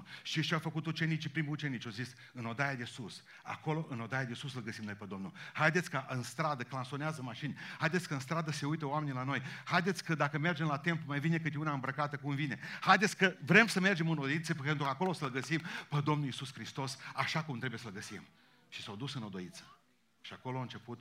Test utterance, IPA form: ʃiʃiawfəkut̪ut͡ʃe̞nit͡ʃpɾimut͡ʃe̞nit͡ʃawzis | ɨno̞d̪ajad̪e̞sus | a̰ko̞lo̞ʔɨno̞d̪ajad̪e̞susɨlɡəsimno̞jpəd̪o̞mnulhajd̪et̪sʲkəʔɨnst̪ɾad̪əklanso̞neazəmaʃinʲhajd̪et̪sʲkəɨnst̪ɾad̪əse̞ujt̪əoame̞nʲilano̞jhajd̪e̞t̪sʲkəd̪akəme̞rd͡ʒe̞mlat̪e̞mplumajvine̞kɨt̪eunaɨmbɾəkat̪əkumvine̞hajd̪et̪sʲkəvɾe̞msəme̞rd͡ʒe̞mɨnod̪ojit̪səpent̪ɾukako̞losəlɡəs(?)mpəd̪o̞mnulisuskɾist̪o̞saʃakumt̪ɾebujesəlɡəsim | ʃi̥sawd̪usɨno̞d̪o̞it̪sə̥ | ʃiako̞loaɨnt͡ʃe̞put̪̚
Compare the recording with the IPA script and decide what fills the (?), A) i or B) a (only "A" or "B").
A